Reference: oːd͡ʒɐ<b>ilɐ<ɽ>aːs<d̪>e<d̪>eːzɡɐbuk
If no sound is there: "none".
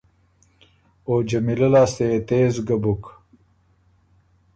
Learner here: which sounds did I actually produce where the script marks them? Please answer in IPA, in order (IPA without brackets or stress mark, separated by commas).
m, l, t̪, t̪